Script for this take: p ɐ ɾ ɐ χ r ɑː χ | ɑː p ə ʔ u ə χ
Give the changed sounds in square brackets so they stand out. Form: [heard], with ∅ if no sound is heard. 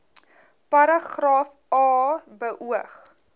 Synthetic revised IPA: p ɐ ɾ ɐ χ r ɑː [f] | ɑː [b] ə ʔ u ə χ

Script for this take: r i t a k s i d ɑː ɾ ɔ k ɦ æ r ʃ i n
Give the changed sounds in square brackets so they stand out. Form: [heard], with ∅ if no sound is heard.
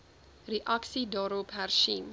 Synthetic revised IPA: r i [ʔ] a k s i d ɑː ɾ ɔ [p] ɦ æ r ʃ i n

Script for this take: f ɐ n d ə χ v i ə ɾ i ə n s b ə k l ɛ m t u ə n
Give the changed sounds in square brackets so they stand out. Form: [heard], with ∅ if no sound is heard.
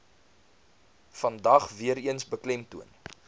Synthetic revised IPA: f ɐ n d [ɐ] χ v i ə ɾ i ə n s b ə k l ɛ m t u ə n

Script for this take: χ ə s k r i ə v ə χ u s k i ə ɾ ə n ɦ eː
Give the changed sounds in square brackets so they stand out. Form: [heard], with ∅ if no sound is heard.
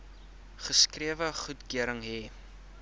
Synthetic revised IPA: χ ə s k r i ə v ə χ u [t] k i ə ɾ ə [ŋ] ɦ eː

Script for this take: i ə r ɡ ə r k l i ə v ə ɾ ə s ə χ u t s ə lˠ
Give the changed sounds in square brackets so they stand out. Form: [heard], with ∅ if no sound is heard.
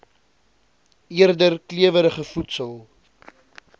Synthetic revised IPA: i ə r [d] ə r k l i ə v ə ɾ ə [χ] ə [f] u t s ə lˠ

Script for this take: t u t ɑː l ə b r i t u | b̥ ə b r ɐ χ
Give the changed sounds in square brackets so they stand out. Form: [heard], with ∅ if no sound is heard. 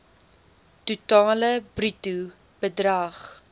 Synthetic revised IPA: t u t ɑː l ə b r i t u | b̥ ə [d] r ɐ χ

